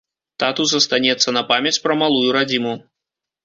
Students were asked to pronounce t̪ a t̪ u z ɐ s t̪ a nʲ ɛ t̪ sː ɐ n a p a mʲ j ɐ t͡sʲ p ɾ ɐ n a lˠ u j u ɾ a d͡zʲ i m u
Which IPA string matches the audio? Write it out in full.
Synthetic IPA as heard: t̪ a t̪ u z ɐ s t̪ a nʲ ɛ t̪ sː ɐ n ɐ p a mʲ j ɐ t͡sʲ p ɾ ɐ m a lˠ u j u ɾ a d͡zʲ i m u